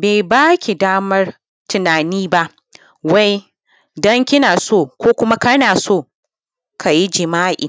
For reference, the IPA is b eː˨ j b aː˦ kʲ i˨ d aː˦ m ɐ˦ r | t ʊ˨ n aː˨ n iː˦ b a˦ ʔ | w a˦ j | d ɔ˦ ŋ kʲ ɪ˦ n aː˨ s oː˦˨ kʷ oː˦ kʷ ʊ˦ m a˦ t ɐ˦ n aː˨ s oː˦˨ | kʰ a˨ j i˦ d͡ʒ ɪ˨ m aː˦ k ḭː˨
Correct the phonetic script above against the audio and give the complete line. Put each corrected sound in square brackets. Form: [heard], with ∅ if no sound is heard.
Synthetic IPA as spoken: b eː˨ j b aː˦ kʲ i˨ d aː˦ m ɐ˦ r | t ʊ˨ n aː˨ n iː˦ b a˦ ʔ | w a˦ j | d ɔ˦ ŋ kʲ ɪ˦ n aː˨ s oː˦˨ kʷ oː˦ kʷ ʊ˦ m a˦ [k] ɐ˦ n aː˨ s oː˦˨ | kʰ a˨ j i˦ d͡ʒ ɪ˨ m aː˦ [ʔ] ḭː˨